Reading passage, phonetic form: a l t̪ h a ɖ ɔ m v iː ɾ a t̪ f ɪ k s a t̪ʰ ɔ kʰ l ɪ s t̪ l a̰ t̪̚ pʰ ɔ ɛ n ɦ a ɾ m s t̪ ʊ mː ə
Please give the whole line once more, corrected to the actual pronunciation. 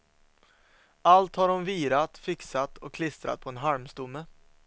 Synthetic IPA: a l t̪ h a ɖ ɔ m v iː ɾ a t̪ f ɪ k s a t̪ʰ ɔ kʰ l ɪ s t̪ ɾ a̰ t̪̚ pʰ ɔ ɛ n ɦ a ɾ m s t̪ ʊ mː ə

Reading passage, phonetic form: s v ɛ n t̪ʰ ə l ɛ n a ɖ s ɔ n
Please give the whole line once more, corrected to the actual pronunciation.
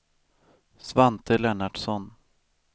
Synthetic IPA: s v a n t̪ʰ ə l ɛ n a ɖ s ɔ n

